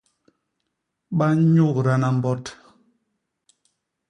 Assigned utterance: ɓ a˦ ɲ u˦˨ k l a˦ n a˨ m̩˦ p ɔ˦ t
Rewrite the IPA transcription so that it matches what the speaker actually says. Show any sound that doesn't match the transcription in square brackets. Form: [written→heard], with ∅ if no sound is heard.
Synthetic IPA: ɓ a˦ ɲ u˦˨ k [l→ɾ] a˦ n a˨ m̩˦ [p→b] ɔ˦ t